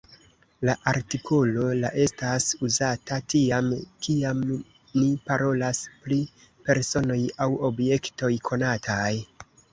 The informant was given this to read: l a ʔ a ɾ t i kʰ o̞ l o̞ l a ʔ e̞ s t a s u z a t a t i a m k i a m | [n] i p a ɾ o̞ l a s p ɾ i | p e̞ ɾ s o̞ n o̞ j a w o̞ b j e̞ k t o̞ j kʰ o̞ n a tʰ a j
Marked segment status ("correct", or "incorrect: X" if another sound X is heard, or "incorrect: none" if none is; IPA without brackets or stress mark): correct